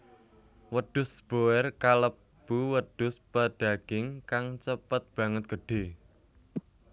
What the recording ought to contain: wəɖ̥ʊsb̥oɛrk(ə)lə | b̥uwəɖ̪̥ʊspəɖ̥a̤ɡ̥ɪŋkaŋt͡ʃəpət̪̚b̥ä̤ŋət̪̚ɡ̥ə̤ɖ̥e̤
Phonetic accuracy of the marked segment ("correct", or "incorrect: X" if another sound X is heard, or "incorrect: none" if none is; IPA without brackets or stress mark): incorrect: a